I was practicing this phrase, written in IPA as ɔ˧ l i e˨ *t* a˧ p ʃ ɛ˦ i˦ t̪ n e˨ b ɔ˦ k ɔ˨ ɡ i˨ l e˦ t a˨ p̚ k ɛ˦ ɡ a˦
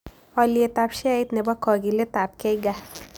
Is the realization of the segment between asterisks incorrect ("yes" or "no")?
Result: no